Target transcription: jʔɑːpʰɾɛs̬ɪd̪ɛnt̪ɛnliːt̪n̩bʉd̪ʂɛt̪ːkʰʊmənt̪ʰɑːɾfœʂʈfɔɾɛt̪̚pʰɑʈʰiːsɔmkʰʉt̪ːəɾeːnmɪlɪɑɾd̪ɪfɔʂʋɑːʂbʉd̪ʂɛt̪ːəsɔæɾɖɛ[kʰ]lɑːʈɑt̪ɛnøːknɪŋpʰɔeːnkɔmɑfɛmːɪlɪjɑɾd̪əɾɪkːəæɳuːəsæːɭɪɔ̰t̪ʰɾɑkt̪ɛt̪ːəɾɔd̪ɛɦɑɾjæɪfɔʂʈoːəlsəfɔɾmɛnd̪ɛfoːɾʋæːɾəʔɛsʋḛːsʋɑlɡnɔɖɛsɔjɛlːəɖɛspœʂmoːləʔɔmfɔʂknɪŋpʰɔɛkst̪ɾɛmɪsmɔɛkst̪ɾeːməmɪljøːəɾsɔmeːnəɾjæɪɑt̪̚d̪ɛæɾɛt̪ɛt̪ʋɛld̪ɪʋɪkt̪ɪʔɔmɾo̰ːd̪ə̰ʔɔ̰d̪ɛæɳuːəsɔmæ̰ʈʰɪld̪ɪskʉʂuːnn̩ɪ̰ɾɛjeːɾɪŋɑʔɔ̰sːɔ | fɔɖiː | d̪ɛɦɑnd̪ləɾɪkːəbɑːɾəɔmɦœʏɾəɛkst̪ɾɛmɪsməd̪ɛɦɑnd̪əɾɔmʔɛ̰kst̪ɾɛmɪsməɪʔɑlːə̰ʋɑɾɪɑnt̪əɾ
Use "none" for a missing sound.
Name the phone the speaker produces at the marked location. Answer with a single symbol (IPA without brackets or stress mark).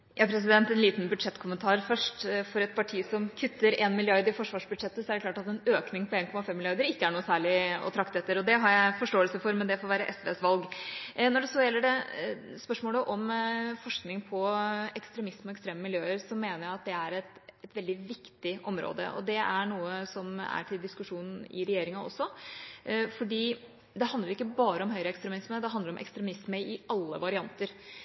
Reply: k